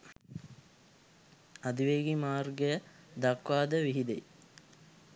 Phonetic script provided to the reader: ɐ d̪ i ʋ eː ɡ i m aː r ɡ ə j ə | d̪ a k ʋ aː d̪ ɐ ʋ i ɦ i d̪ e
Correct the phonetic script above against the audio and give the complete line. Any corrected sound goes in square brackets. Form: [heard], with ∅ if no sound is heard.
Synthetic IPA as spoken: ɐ d̪ i ʋ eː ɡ i m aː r ɡ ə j ə | d̪ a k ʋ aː d̪ [ə] ʋ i ɦ i d̪ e